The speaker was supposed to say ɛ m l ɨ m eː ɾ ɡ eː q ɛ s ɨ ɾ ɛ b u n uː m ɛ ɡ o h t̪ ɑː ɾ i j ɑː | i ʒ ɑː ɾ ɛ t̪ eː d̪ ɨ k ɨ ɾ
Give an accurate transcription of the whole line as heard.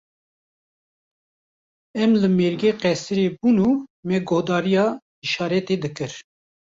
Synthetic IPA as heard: ɛ m l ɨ m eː ɾ ɡ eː q ɛ s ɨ ɾ e b u n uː m ɛ ɡ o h d̪ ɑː ɾ i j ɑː | i ʃ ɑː ɾ ɛ t̪ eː d̪ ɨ k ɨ ɾ